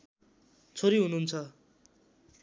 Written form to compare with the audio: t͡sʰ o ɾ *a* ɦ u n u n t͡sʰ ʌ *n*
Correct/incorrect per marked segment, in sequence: incorrect, incorrect

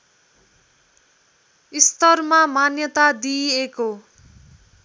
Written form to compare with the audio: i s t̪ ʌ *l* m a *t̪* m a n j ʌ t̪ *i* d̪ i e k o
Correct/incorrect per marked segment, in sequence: incorrect, incorrect, incorrect

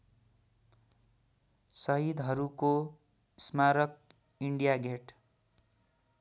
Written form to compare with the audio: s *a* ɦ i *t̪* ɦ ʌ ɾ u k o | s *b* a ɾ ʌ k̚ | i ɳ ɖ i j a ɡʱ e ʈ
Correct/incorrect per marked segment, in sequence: incorrect, incorrect, incorrect

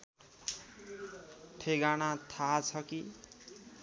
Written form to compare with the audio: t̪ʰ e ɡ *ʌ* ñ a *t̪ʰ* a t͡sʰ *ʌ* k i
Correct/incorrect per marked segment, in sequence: incorrect, correct, correct

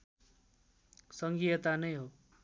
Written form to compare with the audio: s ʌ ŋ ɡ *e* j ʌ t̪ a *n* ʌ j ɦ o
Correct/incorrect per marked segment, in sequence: incorrect, correct

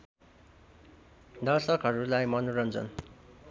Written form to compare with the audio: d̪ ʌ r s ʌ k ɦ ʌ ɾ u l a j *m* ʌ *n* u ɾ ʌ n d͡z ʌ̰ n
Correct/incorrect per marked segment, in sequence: correct, correct

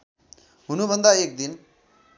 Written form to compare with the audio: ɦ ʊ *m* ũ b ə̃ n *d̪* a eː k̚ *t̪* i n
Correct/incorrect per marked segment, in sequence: incorrect, correct, incorrect

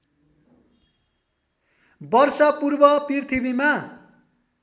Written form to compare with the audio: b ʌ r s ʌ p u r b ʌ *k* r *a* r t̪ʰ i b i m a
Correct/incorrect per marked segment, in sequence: incorrect, incorrect

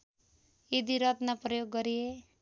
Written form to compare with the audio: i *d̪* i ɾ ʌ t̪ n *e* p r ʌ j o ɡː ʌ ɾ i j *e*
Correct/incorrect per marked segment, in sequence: correct, incorrect, correct

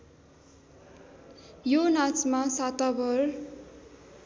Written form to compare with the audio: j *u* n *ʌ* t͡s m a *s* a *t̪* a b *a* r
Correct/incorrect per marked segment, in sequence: incorrect, incorrect, correct, correct, incorrect

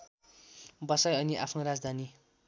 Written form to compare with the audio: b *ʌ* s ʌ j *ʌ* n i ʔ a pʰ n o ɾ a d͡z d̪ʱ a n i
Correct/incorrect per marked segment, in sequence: correct, correct

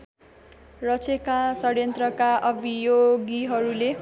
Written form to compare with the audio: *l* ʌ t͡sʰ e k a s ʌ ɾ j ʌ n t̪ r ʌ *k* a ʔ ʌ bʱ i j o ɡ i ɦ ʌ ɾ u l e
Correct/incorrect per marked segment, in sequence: incorrect, correct

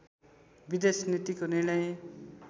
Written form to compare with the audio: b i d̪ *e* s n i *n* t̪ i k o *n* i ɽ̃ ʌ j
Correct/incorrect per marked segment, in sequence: correct, incorrect, correct

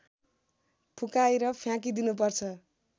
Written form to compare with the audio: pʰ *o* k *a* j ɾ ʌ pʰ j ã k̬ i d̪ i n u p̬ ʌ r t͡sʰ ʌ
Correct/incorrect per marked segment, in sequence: incorrect, correct

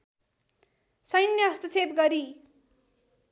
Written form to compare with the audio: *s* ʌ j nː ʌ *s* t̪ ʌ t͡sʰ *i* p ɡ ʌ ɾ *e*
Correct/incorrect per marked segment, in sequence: correct, correct, incorrect, incorrect

